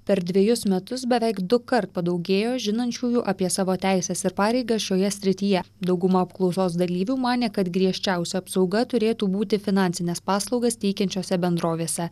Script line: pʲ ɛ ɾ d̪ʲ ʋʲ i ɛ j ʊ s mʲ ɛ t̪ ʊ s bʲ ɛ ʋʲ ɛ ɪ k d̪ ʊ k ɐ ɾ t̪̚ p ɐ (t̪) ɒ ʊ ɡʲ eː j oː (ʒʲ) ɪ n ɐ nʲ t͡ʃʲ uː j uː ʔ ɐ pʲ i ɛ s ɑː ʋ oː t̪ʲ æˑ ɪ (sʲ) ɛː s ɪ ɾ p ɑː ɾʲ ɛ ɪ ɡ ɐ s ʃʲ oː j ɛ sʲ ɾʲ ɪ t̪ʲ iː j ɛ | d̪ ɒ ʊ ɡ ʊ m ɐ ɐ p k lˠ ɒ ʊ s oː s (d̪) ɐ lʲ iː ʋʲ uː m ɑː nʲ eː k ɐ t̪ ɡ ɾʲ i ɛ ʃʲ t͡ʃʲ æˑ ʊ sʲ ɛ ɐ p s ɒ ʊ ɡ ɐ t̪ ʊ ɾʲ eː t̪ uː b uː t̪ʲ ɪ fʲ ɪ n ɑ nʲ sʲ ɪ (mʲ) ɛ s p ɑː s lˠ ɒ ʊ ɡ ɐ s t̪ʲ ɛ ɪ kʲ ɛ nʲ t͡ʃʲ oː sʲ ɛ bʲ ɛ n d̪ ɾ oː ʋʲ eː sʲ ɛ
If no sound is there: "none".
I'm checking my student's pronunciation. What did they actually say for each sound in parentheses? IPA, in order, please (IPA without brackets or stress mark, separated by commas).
d̪, ʒʲ, sʲ, d̪, nʲ